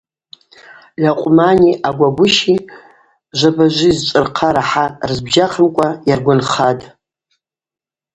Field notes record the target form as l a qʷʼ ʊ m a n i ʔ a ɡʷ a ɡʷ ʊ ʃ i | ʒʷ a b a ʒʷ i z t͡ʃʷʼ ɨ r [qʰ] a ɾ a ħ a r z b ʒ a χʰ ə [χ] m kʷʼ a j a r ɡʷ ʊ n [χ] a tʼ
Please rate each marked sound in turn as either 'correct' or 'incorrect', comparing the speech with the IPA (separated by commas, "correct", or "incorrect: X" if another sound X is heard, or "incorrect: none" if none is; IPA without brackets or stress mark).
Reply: correct, incorrect: none, correct